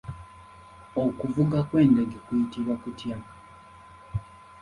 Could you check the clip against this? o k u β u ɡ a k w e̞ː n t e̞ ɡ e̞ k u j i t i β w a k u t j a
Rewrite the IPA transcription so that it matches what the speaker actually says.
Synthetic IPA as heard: o k u v u ɡ a k w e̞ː n d e̞ ɡ e̞ k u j i t i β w a k u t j a